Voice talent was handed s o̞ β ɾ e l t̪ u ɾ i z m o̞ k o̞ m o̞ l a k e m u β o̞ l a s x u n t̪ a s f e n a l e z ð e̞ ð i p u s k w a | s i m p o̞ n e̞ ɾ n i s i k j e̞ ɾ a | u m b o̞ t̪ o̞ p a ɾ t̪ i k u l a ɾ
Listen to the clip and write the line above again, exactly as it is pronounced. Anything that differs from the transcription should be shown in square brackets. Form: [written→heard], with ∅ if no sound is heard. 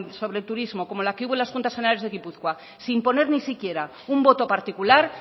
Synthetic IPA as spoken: s o̞ β ɾ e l t̪ u ɾ i z m o̞ k o̞ m o̞ l a k e [m→∅] u β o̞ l a s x u n t̪ a s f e n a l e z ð e̞ [ð→ɣ] i p u [s→θ] k w a | s i m p o̞ n e̞ ɾ n i s i k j e̞ ɾ a | u m b o̞ t̪ o̞ p a ɾ t̪ i k u l a ɾ